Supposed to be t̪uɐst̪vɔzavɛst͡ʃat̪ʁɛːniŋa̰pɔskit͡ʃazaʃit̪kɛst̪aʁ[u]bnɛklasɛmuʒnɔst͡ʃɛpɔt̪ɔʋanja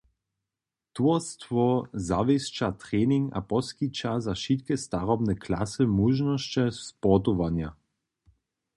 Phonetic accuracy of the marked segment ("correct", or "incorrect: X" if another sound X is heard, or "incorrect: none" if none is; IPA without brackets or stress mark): incorrect: ɔ